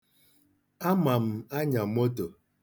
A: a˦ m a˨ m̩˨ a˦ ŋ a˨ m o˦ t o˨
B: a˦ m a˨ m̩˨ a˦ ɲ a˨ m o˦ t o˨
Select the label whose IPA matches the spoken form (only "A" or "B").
B